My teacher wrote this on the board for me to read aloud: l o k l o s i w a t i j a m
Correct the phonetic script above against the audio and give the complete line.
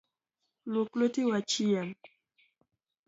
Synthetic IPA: l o k l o t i w a t͡ʃ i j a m